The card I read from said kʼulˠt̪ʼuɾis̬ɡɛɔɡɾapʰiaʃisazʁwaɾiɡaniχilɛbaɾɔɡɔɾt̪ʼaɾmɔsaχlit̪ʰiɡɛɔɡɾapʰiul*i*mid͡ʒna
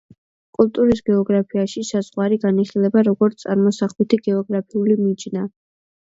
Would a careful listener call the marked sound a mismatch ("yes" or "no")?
no